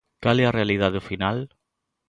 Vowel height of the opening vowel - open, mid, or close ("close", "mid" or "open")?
open